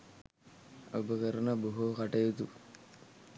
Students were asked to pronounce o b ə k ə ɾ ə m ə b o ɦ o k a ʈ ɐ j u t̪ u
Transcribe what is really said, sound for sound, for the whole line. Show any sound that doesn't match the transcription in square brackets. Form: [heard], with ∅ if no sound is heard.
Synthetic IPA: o b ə k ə ɾ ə [n] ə b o ɦ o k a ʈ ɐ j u t̪ u